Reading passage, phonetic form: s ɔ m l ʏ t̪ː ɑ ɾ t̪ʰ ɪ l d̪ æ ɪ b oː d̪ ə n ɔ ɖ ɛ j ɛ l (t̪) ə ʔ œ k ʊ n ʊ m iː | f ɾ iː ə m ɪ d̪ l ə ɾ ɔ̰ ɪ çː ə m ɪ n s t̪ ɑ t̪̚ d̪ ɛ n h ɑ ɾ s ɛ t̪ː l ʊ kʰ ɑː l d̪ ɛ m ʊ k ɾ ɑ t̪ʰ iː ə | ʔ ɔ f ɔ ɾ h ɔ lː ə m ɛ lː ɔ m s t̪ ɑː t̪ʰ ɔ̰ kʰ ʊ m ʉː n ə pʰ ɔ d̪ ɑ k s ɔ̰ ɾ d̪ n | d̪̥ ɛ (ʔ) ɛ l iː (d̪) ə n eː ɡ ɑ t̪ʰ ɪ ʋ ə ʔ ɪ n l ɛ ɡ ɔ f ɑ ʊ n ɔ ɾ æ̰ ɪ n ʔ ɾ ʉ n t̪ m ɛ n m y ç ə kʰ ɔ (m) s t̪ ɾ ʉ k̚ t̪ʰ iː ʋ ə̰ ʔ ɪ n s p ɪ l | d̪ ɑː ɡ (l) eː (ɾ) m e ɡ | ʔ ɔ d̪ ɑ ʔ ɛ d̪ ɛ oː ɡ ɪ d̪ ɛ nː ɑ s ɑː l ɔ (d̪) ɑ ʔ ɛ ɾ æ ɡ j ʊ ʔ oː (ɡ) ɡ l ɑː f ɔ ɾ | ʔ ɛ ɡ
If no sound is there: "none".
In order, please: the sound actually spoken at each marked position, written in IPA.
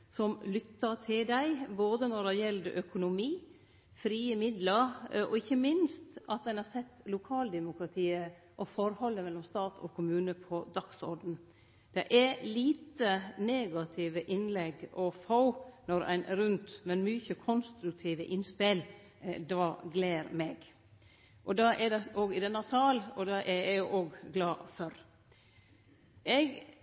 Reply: d̪, ʔ, t̪, n, l, ɾ, d̪, ɡ

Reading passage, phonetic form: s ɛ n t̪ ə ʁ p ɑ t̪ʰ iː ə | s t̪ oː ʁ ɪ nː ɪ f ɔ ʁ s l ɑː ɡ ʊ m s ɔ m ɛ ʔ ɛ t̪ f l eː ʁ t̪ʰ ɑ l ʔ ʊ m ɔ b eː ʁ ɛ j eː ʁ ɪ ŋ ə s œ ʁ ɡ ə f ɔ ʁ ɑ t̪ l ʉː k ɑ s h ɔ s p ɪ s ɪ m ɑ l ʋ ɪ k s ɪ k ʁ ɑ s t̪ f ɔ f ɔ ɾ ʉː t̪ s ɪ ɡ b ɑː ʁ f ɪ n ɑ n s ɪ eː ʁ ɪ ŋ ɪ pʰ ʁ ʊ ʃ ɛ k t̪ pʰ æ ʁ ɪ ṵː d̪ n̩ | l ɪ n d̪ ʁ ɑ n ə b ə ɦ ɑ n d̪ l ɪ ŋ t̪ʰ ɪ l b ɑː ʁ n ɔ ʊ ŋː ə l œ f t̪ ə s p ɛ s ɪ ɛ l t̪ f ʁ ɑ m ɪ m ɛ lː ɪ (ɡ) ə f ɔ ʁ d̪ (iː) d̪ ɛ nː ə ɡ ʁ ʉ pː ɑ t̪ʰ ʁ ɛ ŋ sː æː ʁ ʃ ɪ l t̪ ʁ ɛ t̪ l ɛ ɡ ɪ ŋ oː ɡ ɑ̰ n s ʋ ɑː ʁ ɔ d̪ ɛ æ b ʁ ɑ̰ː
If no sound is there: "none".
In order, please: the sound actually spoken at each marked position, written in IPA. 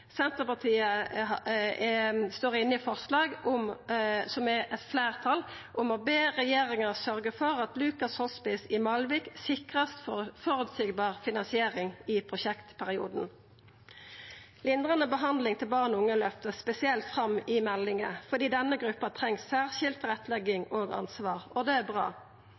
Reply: ŋ, iː

